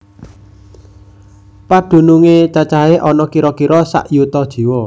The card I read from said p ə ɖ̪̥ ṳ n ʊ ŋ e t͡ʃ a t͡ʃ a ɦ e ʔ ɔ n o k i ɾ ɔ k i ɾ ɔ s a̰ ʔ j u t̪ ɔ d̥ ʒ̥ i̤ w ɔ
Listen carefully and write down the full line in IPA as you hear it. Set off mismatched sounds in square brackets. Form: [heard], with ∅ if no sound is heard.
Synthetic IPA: p [a] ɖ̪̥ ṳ n [u] ŋ e t͡ʃ a t͡ʃ a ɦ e ʔ ɔ n [ɔ] k i ɾ ɔ k i ɾ ɔ s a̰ ʔ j u t̪ ɔ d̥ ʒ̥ i̤ w ɔ